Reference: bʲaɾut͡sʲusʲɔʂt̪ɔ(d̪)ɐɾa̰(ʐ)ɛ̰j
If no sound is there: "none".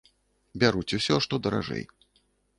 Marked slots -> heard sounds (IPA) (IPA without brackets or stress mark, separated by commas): d̪, ʐ